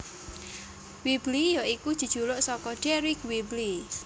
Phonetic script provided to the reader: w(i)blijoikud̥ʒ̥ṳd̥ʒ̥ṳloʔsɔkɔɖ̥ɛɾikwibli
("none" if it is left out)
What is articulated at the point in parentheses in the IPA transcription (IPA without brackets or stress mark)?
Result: i